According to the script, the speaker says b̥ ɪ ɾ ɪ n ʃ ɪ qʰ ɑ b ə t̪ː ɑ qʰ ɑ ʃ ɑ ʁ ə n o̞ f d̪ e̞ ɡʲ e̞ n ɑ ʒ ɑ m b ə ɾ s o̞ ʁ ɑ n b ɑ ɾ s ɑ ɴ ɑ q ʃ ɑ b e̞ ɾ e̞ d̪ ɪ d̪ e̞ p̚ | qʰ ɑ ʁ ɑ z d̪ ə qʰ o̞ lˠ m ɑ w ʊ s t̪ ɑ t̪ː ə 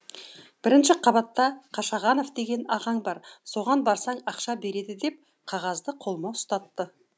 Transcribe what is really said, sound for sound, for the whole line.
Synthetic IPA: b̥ ɪ ɾ ɪ n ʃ ɪ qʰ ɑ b ɑ t̪ː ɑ qʰ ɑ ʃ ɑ ʁ ɑ n o̞ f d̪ e̞ ɡʲ e̞ n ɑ ʁ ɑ ɴ b ɑ ɾ s o̞ ʁ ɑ n b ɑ ɾ s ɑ ɴ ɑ q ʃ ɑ b e̞ ɾ e̞ d̪ ɪ d̪ e̞ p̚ | qʰ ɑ ʁ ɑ z d̪ ə qʰ o̞ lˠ m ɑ w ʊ s t̪ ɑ t̪ː ə